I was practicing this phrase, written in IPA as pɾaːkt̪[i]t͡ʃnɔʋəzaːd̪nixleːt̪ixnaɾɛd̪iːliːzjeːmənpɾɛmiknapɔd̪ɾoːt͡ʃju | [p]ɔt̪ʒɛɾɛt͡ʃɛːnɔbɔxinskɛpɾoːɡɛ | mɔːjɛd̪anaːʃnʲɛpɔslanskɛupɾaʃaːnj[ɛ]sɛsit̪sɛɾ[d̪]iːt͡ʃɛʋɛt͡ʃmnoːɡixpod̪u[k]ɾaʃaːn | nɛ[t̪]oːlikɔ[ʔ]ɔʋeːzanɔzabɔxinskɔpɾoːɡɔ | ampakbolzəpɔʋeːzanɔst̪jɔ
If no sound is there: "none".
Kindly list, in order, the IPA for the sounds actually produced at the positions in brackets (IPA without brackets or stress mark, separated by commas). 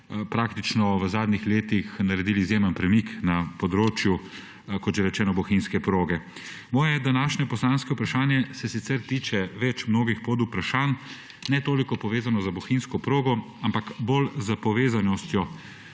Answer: i, k, ɛ, t̪, p, t̪, p